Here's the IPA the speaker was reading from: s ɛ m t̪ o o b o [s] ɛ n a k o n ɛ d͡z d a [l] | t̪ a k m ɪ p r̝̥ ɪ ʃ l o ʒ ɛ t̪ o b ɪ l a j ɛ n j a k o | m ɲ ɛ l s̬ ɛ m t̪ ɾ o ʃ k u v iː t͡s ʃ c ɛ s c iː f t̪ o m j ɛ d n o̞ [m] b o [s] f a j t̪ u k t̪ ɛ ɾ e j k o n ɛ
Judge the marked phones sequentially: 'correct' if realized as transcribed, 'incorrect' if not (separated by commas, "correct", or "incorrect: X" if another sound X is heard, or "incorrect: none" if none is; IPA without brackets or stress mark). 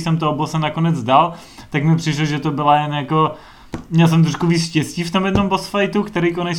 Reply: correct, correct, correct, correct